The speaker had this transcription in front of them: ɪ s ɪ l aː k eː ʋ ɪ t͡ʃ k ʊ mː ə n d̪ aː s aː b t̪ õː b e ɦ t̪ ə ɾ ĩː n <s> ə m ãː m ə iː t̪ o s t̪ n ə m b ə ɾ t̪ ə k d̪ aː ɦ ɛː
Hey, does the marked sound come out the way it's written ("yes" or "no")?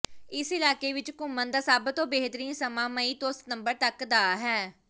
yes